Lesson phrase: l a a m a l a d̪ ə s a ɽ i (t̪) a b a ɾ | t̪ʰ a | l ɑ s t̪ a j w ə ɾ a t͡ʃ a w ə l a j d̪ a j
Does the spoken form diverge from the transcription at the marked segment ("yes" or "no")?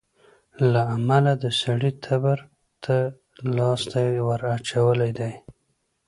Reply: yes